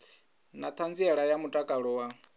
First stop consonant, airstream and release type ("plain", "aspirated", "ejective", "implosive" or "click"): aspirated